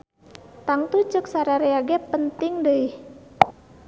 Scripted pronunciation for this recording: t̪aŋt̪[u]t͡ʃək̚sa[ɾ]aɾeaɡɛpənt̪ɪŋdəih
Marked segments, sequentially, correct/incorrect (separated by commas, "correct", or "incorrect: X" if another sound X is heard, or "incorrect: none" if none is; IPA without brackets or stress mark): correct, correct